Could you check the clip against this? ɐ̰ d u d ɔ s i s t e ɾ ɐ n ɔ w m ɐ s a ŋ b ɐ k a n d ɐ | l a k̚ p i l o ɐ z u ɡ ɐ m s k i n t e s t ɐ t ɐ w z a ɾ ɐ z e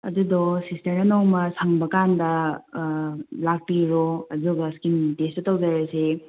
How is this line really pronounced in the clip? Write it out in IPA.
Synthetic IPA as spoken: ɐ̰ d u d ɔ s i s t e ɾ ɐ n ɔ w m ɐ s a ŋ b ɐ k a n d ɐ | l a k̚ p i ɾ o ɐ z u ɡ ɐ s k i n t e s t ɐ t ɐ w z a ɾ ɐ s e

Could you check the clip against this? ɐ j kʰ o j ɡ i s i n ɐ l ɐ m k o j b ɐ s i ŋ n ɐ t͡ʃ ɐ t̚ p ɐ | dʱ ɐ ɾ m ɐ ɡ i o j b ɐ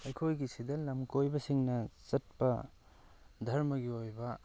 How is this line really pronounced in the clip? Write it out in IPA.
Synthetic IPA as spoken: ɐ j kʰ o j ɡ i s i d ɐ l ɐ m k o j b ɐ s i ŋ n ɐ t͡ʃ ɐ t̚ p ɐ | dʱ ɐ ɾ m ɐ ɡ i o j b ɐ

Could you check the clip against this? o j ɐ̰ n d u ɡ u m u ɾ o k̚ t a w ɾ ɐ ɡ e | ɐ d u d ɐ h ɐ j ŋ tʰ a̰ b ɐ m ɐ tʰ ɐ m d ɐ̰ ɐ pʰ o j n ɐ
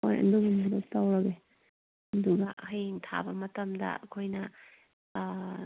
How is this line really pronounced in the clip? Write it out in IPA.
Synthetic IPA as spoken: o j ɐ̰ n d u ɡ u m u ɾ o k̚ t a w ɾ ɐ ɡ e | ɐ d u ɡ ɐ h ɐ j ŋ tʰ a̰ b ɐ m ɐ t ɐ m d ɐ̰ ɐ kʰ o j n ɐ

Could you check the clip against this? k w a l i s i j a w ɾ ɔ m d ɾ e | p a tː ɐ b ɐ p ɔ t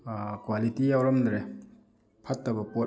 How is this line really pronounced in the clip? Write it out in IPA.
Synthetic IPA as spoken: k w a l i t i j a w ɾ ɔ m d ɾ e | pʰ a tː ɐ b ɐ p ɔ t

